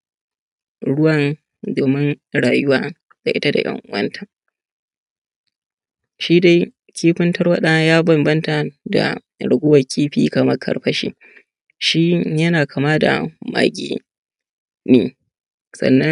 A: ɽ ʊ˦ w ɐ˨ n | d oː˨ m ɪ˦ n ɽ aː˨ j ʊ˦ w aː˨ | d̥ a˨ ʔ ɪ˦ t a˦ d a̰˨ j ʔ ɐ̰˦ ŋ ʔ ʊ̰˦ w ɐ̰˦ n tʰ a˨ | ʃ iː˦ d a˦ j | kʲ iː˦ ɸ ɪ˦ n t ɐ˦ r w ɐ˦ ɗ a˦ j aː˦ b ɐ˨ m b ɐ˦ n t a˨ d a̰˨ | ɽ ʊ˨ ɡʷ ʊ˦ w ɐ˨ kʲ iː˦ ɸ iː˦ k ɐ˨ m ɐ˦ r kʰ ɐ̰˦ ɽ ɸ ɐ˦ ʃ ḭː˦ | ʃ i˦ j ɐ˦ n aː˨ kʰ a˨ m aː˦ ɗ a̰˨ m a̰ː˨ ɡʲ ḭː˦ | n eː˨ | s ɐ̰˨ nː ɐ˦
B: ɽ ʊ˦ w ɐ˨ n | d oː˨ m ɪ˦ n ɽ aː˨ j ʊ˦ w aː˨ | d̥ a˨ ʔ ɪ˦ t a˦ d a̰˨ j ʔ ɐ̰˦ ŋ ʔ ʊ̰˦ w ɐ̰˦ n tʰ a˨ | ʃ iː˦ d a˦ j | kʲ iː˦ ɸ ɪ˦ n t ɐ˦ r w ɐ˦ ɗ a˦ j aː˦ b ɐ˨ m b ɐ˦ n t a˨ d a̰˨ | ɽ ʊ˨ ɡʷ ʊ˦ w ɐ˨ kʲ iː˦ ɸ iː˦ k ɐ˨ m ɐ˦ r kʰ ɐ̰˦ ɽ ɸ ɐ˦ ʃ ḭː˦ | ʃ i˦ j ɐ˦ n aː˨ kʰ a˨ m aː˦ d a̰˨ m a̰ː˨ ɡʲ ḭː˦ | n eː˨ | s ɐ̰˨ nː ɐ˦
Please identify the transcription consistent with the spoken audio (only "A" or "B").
B